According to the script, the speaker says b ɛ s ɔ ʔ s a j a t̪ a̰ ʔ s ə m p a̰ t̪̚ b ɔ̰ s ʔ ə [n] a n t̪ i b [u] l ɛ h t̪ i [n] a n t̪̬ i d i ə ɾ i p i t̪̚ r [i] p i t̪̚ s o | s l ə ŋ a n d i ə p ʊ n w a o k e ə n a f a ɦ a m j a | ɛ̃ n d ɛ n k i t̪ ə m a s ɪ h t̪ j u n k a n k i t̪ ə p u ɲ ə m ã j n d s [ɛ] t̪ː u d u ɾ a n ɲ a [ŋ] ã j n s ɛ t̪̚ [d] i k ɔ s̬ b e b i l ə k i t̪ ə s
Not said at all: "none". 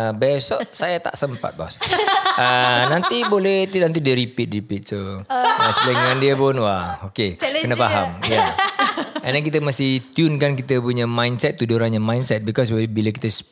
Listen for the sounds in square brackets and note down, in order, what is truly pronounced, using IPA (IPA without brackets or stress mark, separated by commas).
n, o, n, i, ɛ, m, b